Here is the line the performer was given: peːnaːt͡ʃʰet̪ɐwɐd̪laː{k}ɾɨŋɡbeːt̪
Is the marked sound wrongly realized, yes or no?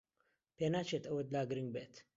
yes